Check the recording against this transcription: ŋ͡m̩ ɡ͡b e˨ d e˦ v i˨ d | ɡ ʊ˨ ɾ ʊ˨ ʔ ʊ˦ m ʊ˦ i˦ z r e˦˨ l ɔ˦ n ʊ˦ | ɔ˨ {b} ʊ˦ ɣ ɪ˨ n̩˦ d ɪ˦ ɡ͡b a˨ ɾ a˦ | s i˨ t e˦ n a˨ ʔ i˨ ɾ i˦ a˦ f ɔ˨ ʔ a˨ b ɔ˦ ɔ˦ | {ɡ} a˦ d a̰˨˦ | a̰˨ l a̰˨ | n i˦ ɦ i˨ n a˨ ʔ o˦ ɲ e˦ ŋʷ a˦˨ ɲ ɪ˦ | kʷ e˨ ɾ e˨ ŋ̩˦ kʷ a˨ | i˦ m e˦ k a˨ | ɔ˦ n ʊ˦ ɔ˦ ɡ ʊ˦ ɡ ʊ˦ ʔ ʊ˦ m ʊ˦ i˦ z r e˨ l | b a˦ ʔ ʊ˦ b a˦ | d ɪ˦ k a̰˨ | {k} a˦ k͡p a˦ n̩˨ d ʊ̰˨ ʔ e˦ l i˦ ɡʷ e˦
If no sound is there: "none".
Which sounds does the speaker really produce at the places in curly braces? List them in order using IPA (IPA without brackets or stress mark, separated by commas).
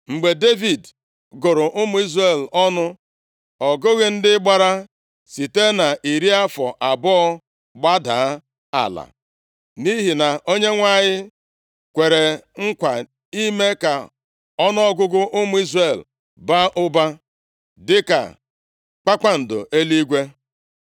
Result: ɡ, ɡ͡b, k͡p